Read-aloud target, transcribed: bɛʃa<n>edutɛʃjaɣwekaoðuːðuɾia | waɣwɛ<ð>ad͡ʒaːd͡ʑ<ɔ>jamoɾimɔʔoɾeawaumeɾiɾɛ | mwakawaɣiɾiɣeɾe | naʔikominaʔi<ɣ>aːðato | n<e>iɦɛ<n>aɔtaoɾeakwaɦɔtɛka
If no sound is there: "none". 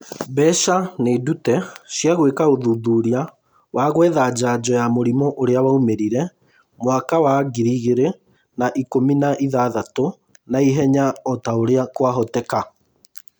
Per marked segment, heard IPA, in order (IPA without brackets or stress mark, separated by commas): n, ð, ɔ, ð, a, ɲ